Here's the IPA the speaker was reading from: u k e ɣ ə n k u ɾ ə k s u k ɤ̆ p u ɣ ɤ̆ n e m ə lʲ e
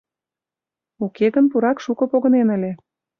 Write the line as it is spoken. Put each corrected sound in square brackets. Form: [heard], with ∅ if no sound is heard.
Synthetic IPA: u k e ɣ ə n [p] u ɾ [ɑ] k [ʃ] u k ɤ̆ p [o] ɣ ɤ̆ n e [n] ə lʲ e